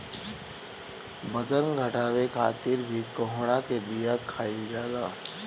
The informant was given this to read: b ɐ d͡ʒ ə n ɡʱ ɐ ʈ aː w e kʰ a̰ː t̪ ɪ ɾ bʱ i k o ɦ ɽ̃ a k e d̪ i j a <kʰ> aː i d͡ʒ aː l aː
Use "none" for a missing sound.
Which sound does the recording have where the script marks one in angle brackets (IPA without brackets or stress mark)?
kʰ